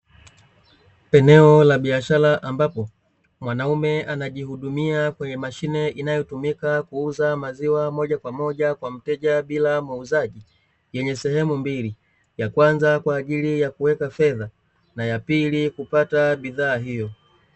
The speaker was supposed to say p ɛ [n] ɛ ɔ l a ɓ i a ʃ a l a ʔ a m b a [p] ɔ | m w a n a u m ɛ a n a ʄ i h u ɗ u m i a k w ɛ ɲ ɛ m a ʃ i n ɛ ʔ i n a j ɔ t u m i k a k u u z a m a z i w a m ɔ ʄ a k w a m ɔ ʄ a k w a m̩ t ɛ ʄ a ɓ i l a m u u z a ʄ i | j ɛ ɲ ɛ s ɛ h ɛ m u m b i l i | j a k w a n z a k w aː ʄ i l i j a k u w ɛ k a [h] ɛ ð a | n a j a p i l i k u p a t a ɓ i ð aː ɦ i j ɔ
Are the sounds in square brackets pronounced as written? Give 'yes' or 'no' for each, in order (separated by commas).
yes, yes, no